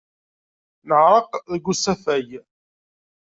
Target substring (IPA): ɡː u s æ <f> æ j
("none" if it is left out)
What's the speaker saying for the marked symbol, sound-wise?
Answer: f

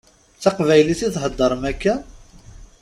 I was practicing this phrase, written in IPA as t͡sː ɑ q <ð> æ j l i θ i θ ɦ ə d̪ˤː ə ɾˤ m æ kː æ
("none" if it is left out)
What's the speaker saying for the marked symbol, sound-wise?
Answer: v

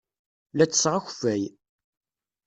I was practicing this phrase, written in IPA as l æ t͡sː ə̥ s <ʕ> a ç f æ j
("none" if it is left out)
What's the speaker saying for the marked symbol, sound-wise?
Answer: ʁ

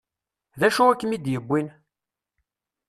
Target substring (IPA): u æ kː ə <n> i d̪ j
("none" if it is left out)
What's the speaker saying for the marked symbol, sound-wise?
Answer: m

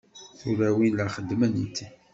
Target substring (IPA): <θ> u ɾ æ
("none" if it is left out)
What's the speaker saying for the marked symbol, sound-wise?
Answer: θ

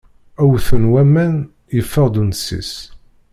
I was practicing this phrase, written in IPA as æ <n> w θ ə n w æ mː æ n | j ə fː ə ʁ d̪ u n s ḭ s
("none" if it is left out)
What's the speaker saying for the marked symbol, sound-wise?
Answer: none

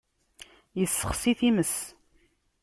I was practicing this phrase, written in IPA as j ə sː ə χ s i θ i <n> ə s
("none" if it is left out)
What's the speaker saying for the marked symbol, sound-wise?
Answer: m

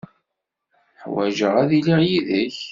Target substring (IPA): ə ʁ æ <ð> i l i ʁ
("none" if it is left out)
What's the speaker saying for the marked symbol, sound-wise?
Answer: ð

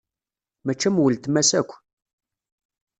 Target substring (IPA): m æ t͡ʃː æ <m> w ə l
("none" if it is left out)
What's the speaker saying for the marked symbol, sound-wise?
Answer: m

